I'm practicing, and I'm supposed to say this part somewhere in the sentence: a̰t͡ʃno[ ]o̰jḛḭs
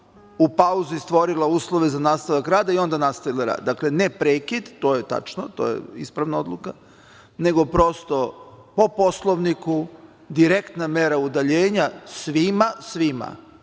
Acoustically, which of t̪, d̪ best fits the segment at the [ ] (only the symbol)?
t̪